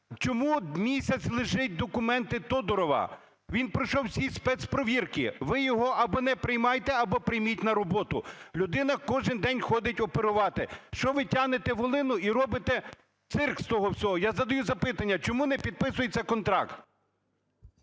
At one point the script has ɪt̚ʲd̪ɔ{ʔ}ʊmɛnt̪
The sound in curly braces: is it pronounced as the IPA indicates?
no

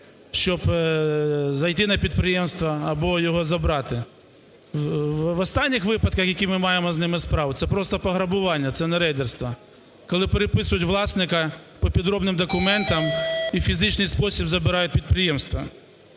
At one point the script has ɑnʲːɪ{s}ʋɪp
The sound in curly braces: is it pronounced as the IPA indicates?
no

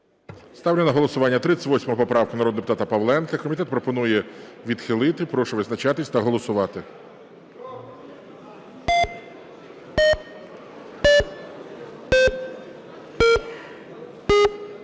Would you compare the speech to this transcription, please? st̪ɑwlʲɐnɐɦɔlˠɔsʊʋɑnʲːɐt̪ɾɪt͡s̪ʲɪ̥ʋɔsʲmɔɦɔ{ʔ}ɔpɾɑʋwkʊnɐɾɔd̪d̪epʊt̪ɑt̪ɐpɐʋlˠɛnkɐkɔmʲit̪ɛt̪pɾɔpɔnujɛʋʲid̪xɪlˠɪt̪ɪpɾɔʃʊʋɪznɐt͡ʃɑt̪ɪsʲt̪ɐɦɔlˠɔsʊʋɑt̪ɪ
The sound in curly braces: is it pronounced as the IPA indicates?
no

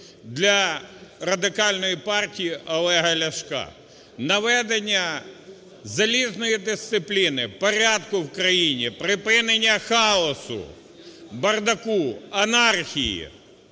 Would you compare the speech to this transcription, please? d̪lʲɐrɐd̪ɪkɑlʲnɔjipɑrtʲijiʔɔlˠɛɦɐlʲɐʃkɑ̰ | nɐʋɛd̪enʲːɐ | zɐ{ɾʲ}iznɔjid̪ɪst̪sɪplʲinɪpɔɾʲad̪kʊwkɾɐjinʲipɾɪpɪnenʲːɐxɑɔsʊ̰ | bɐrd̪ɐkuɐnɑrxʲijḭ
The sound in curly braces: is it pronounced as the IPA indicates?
no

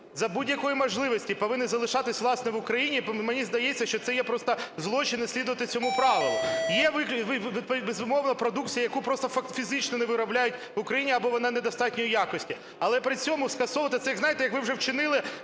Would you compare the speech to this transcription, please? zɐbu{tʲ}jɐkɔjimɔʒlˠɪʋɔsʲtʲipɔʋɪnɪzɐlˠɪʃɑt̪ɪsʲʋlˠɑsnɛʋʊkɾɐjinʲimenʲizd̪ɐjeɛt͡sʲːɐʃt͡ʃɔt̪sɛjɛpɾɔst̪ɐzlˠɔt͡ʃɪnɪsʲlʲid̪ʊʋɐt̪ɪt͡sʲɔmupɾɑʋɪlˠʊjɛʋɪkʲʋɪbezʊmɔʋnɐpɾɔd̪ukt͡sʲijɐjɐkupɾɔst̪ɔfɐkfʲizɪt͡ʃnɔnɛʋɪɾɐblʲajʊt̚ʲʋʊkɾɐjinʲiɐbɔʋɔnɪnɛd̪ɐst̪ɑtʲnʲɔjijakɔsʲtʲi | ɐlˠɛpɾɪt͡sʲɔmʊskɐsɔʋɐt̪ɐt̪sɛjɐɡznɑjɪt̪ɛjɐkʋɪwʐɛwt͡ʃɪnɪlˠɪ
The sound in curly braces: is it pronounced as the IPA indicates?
no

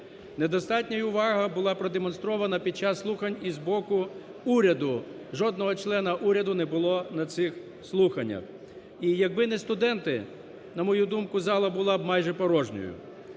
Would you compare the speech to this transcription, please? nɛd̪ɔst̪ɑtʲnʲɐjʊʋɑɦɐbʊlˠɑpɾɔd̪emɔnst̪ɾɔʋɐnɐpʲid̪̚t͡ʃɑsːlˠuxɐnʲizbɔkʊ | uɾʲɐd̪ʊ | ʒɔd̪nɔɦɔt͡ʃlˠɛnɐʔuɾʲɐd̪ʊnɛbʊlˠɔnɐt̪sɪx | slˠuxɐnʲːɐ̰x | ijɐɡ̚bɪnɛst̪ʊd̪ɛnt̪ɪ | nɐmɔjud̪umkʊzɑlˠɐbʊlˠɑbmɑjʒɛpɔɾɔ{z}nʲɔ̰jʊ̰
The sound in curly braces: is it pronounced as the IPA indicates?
no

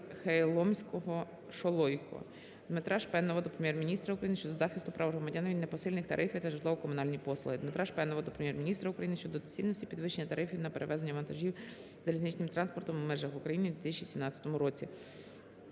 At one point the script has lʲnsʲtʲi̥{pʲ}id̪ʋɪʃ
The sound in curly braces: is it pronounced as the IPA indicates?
yes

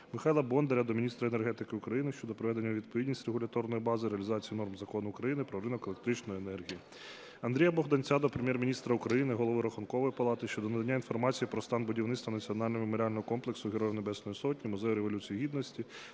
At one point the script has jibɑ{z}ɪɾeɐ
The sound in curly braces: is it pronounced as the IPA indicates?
yes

